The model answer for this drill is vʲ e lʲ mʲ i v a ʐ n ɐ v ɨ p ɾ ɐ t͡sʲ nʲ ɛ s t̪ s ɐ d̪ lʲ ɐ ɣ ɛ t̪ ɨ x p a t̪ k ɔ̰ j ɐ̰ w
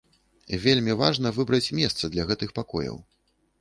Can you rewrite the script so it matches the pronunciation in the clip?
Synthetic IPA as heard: vʲ e lʲ mʲ i v a ʐ n ɐ v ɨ b ɾ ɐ t͡sʲ mʲ ɛ s t̪ s ɐ d̪ lʲ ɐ ɣ ɛ t̪ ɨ x p a k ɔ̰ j ɐ̰ w